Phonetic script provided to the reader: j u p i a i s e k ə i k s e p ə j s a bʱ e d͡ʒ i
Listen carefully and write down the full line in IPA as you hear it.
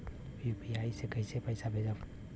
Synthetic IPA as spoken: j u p i a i s e k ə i s e p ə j s a bʱ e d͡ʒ a